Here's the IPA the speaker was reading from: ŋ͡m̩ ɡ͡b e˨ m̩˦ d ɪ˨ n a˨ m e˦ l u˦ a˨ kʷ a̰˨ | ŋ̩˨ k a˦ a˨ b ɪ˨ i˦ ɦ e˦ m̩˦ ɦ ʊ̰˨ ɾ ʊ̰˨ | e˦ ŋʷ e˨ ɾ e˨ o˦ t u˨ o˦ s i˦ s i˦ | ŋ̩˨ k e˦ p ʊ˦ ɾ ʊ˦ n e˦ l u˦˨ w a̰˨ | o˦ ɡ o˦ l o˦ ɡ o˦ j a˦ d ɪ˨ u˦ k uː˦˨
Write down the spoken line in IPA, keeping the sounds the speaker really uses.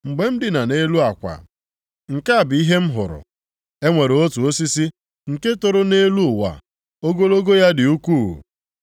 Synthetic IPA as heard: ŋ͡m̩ ɡ͡b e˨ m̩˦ d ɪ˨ n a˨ n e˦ l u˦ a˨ kʷ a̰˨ | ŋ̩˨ k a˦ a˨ b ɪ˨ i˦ ɦ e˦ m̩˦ ɦ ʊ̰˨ ɾ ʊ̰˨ | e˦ ŋʷ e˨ ɾ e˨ o˦ t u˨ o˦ s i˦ s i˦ | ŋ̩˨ k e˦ t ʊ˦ ɾ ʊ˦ n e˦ l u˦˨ w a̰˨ | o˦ ɡ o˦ l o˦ ɡ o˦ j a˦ d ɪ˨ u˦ k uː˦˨